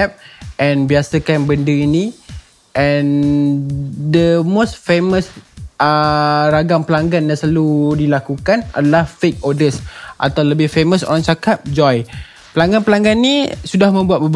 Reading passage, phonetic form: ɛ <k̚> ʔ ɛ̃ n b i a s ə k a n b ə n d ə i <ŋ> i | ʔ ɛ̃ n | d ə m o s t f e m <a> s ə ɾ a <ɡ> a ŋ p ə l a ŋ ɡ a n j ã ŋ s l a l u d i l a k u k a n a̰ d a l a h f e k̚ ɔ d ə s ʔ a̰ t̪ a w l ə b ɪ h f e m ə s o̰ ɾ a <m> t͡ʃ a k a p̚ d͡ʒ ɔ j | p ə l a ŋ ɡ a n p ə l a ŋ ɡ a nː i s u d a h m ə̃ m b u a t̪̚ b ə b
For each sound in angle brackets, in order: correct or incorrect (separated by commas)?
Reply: incorrect, incorrect, incorrect, correct, incorrect